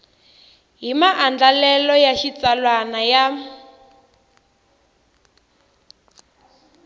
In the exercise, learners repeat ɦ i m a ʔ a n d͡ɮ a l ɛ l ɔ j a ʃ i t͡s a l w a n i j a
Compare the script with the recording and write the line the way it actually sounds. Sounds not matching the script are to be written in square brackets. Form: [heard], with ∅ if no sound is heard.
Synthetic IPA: ɦ i m a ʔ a n d͡ɮ a l ɛ l ɔ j a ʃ i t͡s a l w a n [a] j a